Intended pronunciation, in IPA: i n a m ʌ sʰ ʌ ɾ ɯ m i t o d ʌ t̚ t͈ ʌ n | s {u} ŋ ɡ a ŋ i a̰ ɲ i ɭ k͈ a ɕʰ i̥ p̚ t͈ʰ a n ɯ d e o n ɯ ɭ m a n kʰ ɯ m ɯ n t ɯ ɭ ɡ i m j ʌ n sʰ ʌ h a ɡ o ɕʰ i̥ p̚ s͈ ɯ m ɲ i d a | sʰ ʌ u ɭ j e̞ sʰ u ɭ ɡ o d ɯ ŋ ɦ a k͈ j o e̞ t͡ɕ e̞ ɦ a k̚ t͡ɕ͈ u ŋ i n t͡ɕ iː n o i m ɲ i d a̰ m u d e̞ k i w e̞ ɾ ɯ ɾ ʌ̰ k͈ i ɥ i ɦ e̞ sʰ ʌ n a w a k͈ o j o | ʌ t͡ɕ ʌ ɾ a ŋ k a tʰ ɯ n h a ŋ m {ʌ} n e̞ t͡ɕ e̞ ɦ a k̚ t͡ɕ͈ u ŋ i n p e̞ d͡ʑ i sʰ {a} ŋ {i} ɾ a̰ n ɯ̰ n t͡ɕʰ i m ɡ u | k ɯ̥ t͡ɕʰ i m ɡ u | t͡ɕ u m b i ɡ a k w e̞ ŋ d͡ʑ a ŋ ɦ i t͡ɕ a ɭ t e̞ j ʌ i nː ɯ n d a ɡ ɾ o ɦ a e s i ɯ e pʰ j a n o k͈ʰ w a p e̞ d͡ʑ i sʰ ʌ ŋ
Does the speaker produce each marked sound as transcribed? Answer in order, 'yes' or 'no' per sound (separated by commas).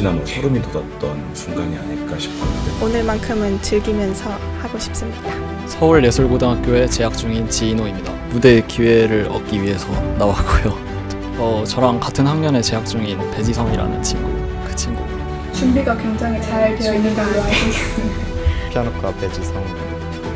yes, yes, no, yes